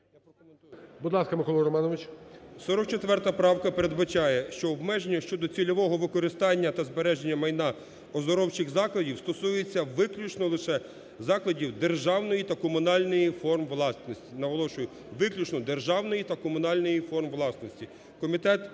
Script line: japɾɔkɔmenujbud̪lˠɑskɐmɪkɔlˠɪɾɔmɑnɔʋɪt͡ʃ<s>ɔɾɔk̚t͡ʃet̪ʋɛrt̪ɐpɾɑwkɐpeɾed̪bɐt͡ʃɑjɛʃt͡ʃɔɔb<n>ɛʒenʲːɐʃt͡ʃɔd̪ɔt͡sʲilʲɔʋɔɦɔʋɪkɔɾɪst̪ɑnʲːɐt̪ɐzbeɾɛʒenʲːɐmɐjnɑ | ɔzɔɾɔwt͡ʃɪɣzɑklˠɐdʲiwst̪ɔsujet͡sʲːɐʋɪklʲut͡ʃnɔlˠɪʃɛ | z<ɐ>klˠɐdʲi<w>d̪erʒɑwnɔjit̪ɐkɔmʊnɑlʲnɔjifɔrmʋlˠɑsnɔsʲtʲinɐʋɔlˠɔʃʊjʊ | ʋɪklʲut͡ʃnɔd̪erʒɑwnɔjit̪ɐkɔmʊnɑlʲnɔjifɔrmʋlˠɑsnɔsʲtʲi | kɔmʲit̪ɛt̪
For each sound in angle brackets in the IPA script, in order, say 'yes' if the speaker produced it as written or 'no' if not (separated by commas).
yes, no, no, yes